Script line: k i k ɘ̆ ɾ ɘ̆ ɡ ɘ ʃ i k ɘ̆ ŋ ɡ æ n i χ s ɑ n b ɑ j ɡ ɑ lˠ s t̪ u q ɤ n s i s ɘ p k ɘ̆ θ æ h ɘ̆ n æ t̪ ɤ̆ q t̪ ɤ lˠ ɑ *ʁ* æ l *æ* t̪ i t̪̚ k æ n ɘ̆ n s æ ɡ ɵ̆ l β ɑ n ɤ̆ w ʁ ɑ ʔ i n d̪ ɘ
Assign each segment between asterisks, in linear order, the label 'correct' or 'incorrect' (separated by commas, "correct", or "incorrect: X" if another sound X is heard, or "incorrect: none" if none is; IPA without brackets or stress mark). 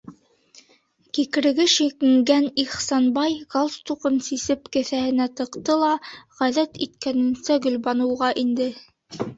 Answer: correct, correct